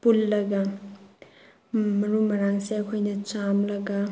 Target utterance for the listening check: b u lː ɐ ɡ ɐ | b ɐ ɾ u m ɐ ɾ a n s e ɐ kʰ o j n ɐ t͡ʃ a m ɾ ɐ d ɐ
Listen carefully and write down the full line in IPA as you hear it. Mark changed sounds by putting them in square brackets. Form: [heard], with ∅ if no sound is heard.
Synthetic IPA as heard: [p] u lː ɐ ɡ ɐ | [m] ɐ ɾ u m ɐ ɾ a [ŋ] s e ɐ kʰ o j n ɐ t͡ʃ a m [l] ɐ [ɡ] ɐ